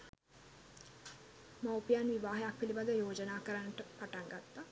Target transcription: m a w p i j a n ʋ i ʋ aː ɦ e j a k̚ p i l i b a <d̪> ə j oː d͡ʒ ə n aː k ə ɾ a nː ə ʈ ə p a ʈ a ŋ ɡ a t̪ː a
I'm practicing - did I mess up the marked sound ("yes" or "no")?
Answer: no